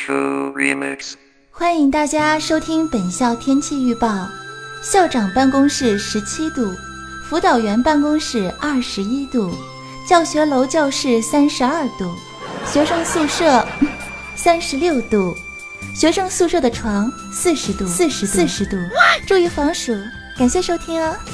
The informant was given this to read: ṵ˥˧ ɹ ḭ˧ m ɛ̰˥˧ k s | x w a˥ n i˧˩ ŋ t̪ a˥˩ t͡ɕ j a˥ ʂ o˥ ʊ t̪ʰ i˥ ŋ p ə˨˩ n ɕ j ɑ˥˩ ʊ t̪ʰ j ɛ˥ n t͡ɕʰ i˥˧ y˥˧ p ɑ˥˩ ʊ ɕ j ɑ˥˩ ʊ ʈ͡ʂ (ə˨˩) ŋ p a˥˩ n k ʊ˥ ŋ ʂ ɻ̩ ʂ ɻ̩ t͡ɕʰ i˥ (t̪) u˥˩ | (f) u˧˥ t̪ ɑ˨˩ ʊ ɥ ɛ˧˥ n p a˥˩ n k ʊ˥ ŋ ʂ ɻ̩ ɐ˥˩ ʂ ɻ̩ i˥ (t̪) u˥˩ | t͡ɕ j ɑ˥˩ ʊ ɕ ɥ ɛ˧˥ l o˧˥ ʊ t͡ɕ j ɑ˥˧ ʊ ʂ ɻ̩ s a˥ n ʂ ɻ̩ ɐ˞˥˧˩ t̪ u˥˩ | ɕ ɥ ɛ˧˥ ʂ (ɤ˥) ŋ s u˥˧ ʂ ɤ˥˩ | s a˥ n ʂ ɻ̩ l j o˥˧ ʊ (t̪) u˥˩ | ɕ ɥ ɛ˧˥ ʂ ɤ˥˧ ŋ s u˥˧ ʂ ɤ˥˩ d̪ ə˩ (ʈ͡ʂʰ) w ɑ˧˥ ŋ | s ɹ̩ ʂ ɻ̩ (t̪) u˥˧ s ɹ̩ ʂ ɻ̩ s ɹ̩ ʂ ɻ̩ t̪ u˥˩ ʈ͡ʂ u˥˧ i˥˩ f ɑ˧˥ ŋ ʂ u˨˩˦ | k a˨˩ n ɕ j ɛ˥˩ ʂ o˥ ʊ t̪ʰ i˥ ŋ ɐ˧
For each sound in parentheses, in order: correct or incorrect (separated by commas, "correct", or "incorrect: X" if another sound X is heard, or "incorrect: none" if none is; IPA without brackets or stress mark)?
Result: incorrect: ɑ˨˩, correct, correct, correct, incorrect: ɤ˥˧, correct, correct, correct